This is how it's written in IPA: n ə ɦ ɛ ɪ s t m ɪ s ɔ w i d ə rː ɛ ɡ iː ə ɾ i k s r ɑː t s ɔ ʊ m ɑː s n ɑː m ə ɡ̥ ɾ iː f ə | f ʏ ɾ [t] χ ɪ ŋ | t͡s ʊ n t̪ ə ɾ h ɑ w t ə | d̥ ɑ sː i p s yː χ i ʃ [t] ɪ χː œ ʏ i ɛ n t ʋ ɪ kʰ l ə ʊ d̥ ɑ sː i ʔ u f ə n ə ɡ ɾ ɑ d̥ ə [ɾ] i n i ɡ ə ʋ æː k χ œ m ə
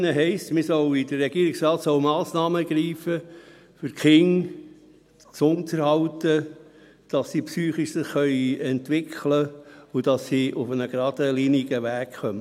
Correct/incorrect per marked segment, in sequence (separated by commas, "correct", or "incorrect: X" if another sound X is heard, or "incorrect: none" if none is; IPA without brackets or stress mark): incorrect: k, incorrect: s, incorrect: l